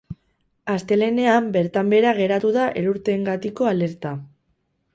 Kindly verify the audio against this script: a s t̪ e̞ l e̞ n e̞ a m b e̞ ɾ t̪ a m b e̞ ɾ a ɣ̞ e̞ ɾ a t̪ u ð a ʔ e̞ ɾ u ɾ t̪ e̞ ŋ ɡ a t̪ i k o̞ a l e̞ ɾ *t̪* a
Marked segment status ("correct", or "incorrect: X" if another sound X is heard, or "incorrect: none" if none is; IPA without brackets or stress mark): correct